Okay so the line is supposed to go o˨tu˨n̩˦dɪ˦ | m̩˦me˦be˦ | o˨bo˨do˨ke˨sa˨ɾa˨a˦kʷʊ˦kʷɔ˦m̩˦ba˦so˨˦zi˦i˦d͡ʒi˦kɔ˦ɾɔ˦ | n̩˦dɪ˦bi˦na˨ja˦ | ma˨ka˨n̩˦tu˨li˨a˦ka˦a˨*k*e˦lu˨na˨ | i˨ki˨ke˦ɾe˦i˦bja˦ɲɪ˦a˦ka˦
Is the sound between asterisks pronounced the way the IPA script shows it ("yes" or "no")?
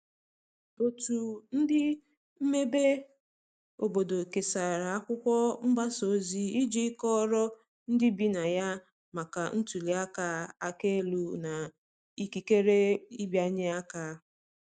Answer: yes